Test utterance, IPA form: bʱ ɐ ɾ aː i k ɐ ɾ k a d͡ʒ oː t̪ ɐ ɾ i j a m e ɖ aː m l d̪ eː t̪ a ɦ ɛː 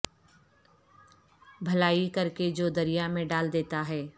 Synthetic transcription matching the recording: bʱ ɐ l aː i k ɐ ɾ k e d͡ʒ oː d̪ ɐ ɾ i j a m ẽ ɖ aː l d̪ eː t̪ a ɦ ɛː